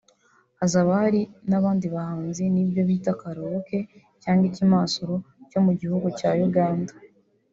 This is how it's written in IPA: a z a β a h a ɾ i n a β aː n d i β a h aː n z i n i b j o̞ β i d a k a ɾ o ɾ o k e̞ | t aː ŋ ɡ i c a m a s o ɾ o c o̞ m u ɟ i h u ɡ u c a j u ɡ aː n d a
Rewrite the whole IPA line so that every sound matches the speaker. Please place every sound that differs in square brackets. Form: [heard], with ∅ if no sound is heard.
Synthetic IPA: a z a β a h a ɾ i n a β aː n d i β a h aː n z i n i b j o̞ β i [t] a k a ɾ o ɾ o k e̞ | [c] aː ŋ ɡ i c [i] m a s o ɾ o c o̞ m u ɟ i h u ɡ u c a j u ɡ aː n d a